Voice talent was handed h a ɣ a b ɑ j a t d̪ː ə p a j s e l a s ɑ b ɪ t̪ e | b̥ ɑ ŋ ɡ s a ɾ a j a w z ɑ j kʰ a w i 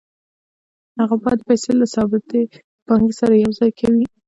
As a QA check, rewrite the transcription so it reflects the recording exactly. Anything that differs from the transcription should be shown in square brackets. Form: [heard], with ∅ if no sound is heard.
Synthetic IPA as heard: h a ɣ a b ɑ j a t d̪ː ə p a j s e l a s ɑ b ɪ t̪ e | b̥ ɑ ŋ ɡ s a ɾ a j a w z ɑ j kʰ a w i